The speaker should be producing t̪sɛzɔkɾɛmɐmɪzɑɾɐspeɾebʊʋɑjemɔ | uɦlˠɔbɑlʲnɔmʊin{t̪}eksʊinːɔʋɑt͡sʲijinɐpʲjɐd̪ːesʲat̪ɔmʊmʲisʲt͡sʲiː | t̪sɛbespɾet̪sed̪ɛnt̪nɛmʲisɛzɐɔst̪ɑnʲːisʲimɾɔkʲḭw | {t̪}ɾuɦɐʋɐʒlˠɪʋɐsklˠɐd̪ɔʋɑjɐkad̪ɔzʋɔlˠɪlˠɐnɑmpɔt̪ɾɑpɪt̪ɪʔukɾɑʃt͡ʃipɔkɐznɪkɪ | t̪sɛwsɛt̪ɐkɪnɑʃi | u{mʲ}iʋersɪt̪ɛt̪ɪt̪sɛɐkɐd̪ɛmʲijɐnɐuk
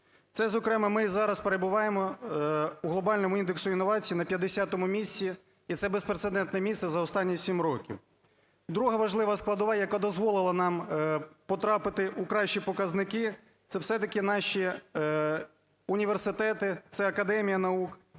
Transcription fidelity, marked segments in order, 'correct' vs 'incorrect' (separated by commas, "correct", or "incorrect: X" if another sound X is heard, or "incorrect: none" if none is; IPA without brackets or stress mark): incorrect: d̪, incorrect: d̪, incorrect: nʲ